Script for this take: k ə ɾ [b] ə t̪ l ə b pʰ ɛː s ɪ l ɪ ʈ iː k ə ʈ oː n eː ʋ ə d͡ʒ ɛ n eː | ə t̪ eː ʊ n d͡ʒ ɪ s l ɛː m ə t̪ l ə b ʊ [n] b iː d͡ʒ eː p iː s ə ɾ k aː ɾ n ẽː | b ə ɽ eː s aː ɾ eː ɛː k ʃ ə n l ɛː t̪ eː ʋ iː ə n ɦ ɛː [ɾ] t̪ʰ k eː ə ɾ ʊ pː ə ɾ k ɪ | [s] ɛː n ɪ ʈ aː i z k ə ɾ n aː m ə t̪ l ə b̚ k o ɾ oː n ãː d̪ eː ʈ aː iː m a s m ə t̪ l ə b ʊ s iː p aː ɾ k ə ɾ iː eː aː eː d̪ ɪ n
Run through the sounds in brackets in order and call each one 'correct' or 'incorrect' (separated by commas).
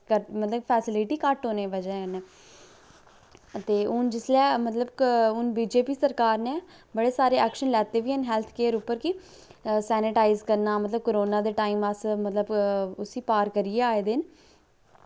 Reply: incorrect, correct, incorrect, correct